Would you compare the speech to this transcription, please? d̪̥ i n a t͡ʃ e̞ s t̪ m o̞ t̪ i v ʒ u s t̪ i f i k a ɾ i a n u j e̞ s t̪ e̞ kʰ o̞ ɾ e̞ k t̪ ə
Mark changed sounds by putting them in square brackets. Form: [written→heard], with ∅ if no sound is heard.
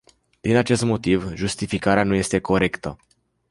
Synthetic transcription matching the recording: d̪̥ i n a t͡ʃ e̞ s t̪ m o̞ t̪ i v ʒ u s t̪ i f i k a ɾ [i→e] a n u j e̞ s t̪ e̞ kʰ o̞ ɾ e̞ k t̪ ə